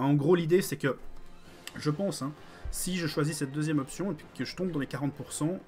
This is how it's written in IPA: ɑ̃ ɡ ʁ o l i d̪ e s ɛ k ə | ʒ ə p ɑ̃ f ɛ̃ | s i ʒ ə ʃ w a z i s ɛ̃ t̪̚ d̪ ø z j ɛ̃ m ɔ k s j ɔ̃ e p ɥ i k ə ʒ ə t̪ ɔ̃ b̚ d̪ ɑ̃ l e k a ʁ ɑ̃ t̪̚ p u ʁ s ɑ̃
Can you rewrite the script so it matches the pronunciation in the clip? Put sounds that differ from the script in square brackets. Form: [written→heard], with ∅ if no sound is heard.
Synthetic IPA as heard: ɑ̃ ɡ ʁ o l i d̪ e s ɛ k ə | ʒ ə p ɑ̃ [f→s] ɛ̃ | s i ʒ ə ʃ w a z i s [ɛ̃→ɛ] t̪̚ d̪ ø z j [ɛ̃→ɛ] m ɔ [k→p] s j ɔ̃ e p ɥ i k ə ʒ ə t̪ ɔ̃ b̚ d̪ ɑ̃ l e k a ʁ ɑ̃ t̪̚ p u ʁ s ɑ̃